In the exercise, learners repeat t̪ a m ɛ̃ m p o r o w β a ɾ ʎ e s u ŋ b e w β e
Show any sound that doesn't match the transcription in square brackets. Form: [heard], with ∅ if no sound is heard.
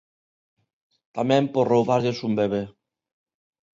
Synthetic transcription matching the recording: t̪ a m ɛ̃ m p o r o w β a ɾ ʎ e s u [m] b e [∅] β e